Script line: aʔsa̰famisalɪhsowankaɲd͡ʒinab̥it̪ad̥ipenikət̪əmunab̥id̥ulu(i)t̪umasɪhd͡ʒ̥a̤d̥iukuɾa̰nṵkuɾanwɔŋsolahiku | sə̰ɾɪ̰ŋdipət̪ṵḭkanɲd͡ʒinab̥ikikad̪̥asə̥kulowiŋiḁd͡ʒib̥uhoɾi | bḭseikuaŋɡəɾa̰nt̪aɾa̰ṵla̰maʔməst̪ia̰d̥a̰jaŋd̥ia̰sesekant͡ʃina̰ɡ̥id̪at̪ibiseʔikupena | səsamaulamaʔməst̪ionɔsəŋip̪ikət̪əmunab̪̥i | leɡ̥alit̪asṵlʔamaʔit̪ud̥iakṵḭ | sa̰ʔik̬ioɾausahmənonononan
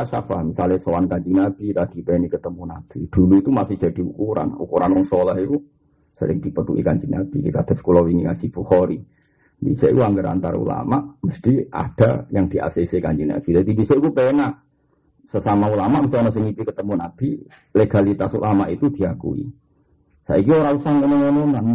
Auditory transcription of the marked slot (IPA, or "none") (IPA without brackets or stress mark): i